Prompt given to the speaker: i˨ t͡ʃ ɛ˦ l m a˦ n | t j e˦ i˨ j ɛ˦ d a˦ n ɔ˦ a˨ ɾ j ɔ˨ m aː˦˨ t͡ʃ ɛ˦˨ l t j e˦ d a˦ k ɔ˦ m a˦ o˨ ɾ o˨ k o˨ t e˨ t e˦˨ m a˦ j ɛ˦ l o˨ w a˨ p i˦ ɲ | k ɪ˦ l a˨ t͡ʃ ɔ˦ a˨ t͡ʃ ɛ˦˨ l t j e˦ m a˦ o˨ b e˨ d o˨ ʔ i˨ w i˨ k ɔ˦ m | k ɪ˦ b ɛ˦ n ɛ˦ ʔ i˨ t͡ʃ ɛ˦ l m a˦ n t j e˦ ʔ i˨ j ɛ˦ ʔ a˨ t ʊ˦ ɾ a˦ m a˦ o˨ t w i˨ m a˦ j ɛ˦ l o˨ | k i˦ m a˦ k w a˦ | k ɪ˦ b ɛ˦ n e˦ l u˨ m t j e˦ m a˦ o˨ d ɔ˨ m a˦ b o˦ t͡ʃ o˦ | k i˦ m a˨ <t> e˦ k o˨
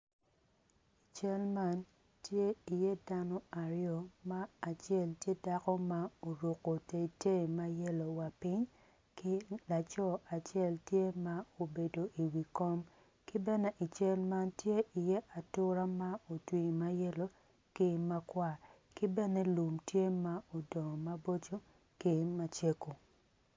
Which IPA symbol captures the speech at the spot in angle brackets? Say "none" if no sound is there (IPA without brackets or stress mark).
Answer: t͡ʃ